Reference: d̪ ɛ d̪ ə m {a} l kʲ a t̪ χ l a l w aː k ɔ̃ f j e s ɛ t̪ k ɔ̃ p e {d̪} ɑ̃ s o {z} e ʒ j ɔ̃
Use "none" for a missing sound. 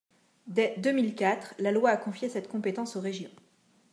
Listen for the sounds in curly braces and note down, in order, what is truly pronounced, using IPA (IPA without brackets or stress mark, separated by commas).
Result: i, t̪, ʁ